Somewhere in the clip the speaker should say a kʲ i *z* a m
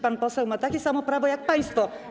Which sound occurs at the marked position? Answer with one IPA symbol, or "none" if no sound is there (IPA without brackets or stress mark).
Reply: s